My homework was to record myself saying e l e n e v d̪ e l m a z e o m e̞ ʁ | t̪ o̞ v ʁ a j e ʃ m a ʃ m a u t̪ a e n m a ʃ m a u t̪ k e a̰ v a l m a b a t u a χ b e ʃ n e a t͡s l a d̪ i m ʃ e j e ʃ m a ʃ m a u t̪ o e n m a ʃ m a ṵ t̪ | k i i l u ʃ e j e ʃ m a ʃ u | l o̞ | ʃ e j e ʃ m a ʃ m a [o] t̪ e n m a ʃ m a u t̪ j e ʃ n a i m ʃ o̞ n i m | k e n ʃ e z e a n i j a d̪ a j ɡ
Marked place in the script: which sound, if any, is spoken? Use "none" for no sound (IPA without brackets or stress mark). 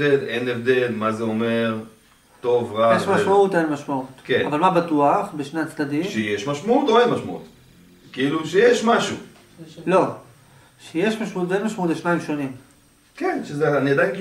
u